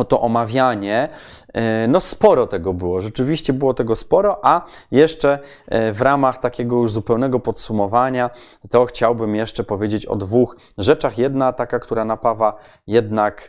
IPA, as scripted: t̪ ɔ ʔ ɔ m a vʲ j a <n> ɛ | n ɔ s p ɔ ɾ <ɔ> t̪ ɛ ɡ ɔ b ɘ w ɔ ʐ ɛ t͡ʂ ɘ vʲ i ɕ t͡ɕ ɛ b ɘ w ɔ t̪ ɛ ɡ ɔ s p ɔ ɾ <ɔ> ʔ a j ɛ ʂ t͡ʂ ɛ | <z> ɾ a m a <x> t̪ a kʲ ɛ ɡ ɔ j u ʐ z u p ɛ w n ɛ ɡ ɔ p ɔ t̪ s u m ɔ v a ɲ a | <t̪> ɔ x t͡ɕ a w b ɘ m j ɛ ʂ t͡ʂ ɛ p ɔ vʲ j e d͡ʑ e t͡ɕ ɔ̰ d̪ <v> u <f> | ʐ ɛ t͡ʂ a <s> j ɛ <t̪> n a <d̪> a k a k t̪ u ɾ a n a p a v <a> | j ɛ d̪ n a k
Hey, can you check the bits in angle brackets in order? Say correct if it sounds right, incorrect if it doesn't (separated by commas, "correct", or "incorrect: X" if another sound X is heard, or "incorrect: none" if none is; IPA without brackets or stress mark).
incorrect: ɲ, correct, correct, incorrect: v, correct, correct, correct, incorrect: x, incorrect: x, incorrect: d̪, incorrect: t̪, correct